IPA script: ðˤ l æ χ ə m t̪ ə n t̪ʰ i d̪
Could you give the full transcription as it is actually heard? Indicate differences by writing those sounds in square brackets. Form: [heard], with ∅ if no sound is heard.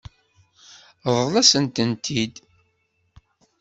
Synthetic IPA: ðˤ l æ [s] ə [n] t̪ ə n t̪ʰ i d̪